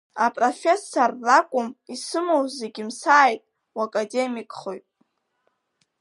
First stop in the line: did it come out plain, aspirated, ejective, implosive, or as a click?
ejective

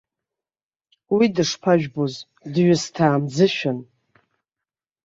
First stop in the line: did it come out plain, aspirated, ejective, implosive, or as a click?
plain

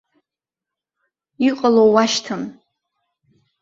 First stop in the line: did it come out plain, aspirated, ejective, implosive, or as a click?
ejective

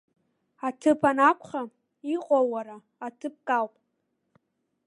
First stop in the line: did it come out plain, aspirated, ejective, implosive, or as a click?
aspirated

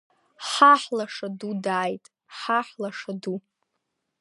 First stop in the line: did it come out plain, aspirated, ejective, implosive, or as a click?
plain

